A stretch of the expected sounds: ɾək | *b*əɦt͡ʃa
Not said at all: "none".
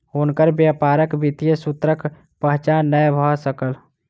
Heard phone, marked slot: p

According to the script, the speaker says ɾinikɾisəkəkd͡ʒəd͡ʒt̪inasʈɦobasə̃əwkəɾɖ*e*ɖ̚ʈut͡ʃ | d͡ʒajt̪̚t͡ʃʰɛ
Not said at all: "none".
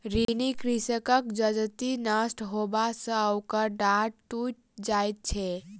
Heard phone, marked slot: a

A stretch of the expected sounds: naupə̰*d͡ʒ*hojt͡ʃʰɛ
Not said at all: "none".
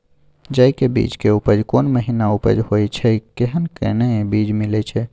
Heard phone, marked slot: d͡ʒ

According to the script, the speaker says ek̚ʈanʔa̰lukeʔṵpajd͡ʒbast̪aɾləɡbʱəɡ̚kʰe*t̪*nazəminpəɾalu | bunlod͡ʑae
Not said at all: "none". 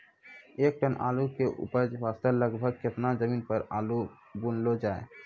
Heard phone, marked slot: t̪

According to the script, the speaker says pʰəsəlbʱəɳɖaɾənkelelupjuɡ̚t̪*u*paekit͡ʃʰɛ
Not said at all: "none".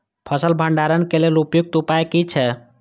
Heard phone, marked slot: u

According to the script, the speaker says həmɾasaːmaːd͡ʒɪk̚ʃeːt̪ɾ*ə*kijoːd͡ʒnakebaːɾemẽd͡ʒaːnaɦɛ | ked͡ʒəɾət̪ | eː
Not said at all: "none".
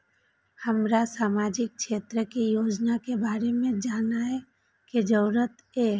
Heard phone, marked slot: ə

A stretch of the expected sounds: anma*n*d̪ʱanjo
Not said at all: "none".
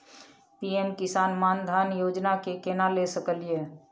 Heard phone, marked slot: n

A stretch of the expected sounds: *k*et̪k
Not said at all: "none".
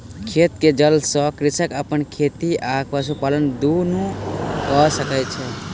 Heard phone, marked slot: kʰ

